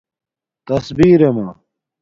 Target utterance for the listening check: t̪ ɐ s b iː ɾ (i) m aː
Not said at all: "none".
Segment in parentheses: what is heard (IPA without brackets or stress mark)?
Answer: e